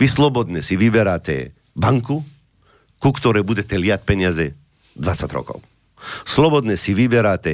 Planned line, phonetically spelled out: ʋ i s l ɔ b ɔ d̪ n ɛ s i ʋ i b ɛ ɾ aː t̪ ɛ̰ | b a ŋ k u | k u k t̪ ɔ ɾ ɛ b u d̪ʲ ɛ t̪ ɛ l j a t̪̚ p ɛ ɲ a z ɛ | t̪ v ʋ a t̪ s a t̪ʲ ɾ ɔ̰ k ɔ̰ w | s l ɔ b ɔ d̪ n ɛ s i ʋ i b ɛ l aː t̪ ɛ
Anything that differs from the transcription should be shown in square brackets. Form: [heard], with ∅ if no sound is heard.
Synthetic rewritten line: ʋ i s l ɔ b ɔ d̪ n ɛ s i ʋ i b ɛ ɾ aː t̪ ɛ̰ | b a ŋ k u | k u k t̪ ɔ ɾ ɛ b u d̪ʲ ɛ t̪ ɛ l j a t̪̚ p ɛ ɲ a z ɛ | [d̪] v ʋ a t̪ s a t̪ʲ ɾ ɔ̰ k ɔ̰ w | s l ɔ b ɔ d̪ n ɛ s i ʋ i b ɛ [ɾ] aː t̪ ɛ